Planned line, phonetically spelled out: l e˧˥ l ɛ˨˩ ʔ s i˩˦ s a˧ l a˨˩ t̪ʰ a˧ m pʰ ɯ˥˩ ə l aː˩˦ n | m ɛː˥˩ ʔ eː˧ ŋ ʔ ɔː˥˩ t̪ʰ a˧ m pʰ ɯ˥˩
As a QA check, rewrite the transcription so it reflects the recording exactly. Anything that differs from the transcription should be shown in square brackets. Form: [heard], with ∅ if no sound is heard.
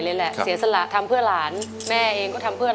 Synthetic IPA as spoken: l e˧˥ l ɛ˨˩ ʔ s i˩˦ s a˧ l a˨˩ t̪ʰ a˧ m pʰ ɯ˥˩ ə l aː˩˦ n | m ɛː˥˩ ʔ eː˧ ŋ [k] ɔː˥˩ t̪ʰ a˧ m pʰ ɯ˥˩